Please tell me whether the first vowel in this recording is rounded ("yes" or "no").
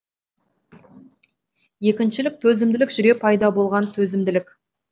no